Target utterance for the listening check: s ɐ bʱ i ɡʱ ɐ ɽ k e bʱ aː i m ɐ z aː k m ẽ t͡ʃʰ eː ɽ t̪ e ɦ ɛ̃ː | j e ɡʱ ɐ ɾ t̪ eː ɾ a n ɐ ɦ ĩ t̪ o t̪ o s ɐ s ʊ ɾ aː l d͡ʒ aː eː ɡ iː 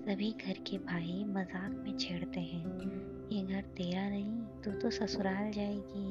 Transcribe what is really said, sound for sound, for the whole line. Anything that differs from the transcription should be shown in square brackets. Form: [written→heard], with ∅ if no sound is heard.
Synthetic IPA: s ɐ bʱ i ɡʱ ɐ [ɽ→ɾ] k e bʱ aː i m ɐ z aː k m ẽ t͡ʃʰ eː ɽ t̪ e ɦ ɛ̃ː | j e ɡʱ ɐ ɾ t̪ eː ɾ a n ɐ ɦ ĩ t̪ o t̪ o s ɐ s ʊ ɾ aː l d͡ʒ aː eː ɡ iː